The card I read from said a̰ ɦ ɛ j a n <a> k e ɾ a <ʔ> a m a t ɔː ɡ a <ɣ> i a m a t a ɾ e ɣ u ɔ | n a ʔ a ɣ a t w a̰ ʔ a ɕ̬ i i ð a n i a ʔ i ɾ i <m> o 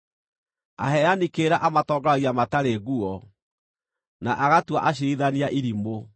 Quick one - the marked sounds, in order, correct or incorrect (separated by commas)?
incorrect, correct, correct, correct